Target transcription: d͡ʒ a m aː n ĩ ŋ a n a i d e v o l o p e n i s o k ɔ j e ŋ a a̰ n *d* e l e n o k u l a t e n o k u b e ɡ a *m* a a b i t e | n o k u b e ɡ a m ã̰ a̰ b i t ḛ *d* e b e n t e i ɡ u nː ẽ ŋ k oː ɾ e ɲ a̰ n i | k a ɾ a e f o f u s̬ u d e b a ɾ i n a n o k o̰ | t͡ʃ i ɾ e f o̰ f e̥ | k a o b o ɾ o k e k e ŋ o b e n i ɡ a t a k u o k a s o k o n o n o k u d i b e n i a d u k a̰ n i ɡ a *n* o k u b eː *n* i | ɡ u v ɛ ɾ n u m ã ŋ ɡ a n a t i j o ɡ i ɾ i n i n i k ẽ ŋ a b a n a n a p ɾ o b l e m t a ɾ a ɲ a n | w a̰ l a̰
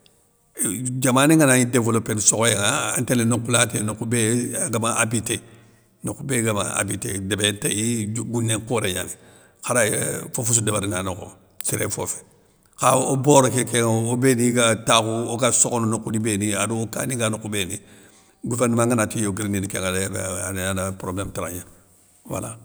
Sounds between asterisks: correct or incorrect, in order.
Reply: incorrect: t, correct, correct, correct, correct

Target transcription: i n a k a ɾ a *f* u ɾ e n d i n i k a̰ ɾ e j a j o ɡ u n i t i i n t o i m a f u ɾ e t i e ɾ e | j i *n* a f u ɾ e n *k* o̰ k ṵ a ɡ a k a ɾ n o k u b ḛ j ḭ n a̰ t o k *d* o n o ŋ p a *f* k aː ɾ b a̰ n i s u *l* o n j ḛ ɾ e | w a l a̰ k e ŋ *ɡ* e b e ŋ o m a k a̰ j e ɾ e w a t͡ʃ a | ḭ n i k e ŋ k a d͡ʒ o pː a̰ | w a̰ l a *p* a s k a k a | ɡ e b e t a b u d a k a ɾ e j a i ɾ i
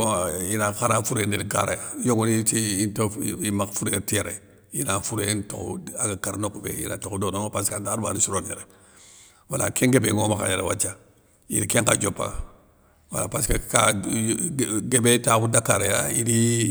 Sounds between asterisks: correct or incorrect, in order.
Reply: correct, correct, incorrect: t, correct, incorrect: s, incorrect: ɾ, correct, correct

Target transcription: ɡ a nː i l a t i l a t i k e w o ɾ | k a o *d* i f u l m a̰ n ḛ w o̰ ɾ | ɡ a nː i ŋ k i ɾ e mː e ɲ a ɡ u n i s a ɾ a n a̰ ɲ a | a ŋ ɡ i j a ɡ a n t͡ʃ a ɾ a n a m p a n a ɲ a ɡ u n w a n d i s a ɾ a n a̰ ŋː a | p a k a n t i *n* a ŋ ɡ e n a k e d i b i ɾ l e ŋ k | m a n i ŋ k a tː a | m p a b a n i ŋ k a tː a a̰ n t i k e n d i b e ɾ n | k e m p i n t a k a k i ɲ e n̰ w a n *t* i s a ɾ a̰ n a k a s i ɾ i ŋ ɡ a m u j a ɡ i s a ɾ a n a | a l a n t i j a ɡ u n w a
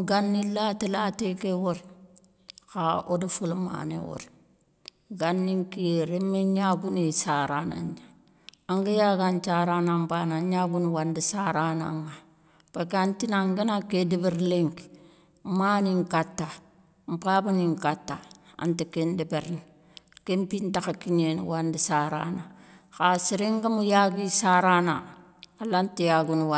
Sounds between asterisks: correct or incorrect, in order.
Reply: correct, correct, incorrect: d

